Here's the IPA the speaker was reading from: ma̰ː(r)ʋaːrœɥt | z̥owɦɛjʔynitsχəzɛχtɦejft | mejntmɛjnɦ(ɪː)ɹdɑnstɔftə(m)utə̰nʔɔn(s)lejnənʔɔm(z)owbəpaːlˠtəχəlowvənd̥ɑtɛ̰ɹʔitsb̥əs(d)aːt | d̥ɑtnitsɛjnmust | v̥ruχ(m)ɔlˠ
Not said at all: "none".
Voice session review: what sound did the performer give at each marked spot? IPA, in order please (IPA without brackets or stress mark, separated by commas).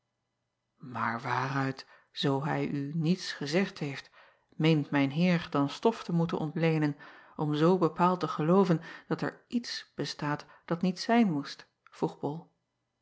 ɹ, ɪː, m, t, z, t, b